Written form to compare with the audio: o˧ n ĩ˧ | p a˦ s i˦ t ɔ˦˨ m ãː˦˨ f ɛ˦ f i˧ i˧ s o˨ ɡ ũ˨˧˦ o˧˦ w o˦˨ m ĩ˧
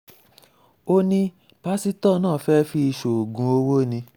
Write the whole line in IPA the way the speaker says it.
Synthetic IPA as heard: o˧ n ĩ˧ | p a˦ s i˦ t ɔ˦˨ n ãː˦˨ f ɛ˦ f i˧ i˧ ʃ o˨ ɡ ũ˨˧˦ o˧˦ w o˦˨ n ĩ˧